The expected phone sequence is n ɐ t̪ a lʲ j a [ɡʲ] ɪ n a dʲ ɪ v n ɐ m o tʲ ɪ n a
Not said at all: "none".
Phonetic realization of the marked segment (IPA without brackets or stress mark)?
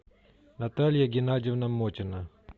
ɡʲ